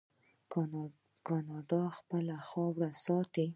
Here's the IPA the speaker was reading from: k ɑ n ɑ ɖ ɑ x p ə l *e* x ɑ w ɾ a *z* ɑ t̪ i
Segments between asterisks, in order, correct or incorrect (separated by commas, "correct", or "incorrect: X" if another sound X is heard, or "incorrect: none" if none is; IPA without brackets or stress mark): incorrect: a, incorrect: s